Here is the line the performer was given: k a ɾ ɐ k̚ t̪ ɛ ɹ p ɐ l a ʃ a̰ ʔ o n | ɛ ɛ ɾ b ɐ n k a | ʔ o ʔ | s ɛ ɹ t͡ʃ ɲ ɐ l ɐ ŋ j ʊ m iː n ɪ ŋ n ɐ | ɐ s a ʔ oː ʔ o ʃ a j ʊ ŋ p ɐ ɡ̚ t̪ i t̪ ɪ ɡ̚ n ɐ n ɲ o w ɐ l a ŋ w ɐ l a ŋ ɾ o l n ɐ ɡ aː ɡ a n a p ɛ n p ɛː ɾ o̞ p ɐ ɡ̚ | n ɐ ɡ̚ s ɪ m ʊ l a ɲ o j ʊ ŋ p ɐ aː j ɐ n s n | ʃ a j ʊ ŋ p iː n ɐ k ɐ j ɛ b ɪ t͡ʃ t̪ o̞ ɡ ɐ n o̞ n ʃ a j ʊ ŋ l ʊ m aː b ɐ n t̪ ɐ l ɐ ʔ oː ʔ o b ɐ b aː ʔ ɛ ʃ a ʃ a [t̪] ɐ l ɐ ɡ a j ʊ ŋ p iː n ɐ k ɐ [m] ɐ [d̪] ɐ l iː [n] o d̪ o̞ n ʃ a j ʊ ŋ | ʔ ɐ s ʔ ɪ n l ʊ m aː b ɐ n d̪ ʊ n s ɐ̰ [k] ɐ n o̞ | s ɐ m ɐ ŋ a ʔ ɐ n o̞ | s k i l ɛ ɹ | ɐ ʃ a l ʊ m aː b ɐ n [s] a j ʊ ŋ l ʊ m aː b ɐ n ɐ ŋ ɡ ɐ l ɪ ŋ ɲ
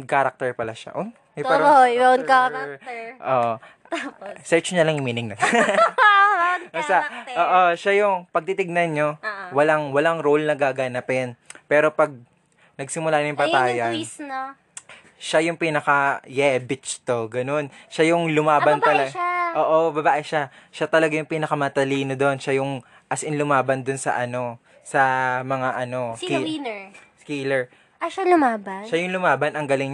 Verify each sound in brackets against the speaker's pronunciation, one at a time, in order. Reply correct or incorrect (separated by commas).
correct, correct, incorrect, correct, incorrect, incorrect